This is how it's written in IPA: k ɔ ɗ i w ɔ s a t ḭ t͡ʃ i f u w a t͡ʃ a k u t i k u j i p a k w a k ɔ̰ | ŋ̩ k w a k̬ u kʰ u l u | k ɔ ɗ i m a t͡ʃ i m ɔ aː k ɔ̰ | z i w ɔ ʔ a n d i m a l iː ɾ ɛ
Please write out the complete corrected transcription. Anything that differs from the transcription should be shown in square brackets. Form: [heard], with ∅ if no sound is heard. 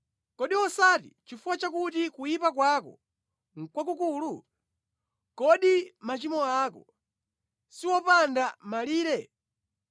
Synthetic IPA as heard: k ɔ ɗ i w ɔ s a t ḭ t͡ʃ i f u w a t͡ʃ a k u t i k u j i p a k w a k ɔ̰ | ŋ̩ k w a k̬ u [k] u l u | k ɔ ɗ i m a t͡ʃ i m ɔ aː k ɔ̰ | [s] i w ɔ [p] a n d [a] m a l iː ɾ ɛ